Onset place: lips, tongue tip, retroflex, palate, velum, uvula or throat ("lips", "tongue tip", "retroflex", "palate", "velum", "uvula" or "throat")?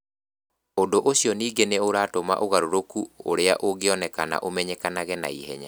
tongue tip